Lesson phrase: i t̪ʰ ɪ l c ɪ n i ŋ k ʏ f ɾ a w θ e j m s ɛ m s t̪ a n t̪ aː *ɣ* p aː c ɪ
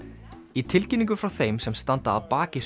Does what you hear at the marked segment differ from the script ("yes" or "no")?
yes